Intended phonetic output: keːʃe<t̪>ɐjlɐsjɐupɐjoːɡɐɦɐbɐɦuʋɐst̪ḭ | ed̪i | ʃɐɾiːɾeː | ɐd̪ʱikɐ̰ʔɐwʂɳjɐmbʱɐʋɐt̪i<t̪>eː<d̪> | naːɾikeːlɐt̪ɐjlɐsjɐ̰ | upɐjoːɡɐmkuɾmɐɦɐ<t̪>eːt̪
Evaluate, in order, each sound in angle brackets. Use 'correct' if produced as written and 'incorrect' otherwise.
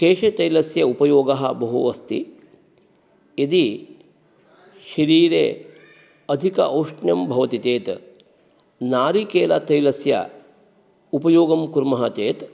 correct, correct, incorrect: t̪, correct

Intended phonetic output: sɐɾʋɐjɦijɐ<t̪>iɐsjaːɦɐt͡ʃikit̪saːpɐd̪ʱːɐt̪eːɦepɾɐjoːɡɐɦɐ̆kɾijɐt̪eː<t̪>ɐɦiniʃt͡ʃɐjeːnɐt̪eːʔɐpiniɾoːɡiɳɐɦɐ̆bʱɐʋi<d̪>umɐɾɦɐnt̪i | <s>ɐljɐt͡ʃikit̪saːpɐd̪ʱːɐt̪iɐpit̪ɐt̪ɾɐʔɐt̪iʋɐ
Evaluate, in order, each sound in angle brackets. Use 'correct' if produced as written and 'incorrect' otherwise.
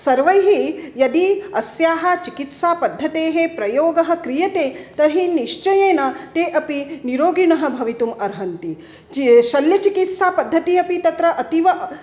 incorrect: d̪, correct, incorrect: t̪, incorrect: ʃ

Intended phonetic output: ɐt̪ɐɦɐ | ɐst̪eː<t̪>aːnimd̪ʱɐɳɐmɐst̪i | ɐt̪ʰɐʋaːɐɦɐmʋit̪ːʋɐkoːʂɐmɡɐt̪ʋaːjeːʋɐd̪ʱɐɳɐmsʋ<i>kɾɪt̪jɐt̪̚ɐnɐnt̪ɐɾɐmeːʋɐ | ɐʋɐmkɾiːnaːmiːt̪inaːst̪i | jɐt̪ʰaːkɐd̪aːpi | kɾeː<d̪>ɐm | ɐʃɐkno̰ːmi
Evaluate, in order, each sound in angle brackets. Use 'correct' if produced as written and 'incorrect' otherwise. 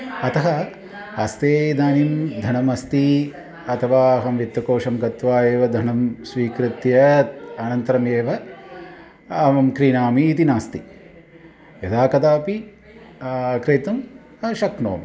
incorrect: d̪, incorrect: iː, incorrect: t̪

